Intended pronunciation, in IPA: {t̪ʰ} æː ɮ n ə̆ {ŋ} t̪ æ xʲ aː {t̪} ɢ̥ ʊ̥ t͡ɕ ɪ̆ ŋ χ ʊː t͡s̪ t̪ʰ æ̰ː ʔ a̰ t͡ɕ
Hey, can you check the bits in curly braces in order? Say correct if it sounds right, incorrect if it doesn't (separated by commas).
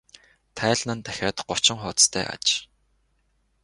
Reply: correct, incorrect, correct